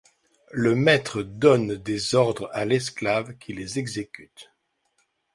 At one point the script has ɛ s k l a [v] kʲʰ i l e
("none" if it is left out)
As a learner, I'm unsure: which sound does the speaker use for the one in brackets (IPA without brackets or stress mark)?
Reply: v